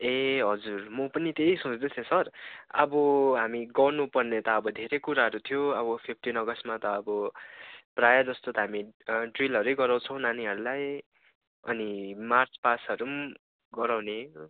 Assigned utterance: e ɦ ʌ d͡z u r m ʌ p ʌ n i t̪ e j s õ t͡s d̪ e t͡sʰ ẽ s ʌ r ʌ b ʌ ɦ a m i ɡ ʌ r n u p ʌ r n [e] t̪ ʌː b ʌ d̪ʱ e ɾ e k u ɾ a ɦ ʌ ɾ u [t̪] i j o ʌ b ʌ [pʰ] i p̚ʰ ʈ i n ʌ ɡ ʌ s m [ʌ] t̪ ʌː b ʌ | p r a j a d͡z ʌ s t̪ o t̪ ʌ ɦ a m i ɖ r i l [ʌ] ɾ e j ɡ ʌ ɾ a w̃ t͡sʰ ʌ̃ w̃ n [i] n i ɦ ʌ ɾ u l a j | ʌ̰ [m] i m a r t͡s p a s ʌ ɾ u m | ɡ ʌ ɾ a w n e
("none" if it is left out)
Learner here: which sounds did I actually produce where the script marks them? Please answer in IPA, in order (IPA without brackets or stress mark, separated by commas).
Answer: e, t̪ʰ, pʰ, a, ʌ, a, n